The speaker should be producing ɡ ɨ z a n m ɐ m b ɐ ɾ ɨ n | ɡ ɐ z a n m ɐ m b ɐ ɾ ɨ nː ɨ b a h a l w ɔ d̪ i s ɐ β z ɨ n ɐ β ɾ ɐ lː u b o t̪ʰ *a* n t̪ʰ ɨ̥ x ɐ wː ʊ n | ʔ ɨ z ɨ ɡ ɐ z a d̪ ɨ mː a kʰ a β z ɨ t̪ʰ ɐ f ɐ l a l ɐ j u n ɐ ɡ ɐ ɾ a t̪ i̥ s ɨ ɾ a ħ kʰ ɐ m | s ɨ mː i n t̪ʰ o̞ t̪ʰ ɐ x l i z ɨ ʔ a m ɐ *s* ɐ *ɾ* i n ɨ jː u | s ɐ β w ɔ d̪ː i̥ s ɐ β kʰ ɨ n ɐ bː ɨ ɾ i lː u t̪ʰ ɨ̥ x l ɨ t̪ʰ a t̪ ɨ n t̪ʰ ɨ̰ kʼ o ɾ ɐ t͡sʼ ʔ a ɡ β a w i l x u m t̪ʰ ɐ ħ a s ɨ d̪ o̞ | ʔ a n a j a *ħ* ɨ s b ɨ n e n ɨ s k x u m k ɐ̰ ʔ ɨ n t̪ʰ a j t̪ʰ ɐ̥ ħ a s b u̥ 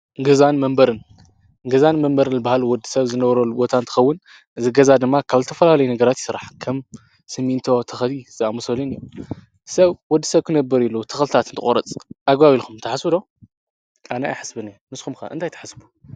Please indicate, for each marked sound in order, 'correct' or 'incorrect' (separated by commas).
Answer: correct, correct, incorrect, correct